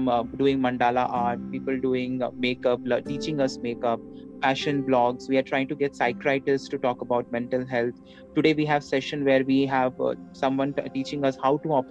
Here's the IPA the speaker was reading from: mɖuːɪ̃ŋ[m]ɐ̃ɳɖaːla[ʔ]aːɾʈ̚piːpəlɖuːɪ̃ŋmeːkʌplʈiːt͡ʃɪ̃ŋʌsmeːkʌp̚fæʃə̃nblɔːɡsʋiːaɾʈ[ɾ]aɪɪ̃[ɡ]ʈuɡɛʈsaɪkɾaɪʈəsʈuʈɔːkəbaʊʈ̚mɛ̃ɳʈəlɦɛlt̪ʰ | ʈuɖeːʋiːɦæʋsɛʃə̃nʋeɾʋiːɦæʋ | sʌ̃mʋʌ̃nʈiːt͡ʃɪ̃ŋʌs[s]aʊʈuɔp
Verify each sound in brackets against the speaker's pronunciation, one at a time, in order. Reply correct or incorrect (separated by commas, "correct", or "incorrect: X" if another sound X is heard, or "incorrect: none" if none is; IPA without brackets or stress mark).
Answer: correct, correct, correct, incorrect: ŋ, incorrect: h